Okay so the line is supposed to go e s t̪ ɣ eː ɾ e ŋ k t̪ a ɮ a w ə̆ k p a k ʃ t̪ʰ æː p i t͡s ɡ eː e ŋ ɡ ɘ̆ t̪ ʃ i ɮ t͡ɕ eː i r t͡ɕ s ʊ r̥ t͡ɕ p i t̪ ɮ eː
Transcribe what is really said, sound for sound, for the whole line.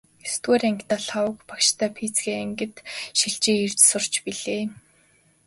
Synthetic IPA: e s t̪ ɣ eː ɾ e ŋ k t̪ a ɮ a w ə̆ k p a k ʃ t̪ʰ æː pʰ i t͡s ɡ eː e ŋ ɡ ɘ̆ t̪ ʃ i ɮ t͡ɕ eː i r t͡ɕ s ʊ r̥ t͡ɕ p i ɮ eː